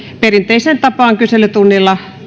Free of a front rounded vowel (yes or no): no